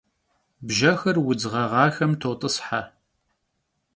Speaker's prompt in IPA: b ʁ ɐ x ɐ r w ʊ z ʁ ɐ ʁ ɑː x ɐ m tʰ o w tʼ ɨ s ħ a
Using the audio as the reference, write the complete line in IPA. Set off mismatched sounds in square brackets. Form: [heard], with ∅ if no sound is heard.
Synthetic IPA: b [ʒ] ɐ x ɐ r w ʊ [d͡z] ʁ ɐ ʁ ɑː x ɐ m tʰ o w tʼ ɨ s ħ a